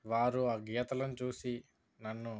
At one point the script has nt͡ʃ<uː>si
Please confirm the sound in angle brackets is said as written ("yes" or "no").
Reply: yes